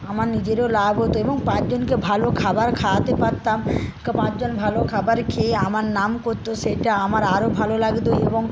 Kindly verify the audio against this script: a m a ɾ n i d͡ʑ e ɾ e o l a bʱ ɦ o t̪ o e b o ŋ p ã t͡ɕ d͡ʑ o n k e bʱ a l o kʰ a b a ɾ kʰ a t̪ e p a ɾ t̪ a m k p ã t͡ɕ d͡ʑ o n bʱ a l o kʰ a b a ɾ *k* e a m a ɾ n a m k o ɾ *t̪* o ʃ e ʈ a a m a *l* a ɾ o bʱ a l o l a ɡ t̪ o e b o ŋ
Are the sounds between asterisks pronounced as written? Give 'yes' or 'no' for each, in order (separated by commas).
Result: no, yes, no